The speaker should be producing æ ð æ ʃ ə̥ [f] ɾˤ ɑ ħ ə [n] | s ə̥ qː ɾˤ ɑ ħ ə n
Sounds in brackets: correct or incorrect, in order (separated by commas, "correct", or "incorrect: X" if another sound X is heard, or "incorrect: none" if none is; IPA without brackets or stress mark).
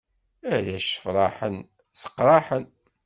correct, correct